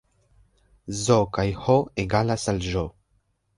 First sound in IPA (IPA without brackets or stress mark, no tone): z